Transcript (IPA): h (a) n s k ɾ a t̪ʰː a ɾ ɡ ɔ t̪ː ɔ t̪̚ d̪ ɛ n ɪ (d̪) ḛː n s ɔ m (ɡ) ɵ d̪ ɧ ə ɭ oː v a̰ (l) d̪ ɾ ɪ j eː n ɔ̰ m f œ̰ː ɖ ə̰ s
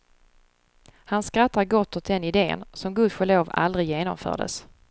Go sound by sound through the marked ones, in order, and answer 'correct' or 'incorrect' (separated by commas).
correct, correct, correct, correct